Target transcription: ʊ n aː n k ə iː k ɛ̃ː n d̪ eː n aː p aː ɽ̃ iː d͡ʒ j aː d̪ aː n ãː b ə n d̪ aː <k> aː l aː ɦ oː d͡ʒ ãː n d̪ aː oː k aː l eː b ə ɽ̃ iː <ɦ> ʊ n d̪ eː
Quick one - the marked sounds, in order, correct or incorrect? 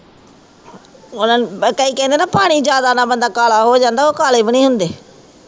correct, correct

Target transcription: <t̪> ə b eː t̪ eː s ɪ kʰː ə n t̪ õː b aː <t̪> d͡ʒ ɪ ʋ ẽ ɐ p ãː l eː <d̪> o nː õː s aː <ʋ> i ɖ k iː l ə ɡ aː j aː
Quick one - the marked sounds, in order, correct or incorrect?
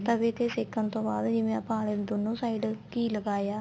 correct, incorrect, correct, incorrect

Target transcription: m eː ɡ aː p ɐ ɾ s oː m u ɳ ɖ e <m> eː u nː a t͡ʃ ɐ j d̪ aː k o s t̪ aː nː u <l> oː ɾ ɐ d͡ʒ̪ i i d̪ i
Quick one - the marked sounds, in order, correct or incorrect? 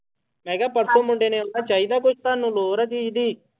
incorrect, correct

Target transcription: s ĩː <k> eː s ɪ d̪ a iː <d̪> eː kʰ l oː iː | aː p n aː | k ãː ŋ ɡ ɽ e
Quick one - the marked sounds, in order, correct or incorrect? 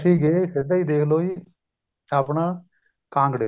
incorrect, correct

